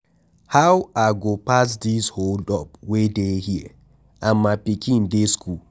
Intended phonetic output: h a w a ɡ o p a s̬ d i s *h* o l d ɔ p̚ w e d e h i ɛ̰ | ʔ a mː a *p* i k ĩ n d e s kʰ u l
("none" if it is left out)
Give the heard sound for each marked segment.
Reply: h, p

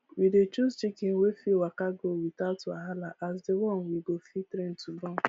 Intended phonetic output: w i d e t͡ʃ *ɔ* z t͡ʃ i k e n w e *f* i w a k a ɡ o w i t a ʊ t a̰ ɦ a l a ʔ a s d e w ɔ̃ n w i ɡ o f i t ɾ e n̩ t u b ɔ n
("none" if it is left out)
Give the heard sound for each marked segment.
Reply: u, f

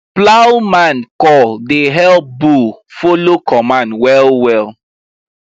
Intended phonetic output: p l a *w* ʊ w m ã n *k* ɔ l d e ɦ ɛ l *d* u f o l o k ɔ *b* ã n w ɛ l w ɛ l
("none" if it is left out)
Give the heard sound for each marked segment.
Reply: none, k, b, m

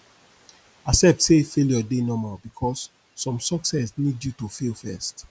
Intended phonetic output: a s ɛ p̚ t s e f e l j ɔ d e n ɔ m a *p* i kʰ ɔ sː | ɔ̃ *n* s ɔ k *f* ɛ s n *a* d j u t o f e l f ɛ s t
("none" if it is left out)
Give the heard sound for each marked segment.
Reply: b, m, s, i

